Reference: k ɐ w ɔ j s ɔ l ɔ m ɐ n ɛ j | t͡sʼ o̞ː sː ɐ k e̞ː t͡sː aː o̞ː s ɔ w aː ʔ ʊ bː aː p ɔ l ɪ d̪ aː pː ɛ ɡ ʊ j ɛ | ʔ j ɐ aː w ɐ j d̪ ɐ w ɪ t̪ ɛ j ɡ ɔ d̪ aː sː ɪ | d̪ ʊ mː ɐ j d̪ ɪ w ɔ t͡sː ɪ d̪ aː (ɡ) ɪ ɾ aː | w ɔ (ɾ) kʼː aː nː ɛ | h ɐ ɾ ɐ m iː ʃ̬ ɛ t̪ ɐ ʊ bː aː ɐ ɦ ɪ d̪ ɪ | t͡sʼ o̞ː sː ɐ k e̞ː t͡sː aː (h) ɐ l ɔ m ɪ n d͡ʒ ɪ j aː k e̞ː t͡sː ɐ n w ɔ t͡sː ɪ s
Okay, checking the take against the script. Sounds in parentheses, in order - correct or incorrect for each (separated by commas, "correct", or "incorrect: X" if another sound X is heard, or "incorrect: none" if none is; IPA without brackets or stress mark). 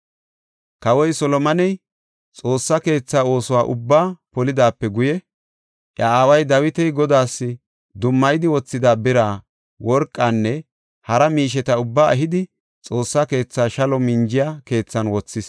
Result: incorrect: b, correct, incorrect: ʃ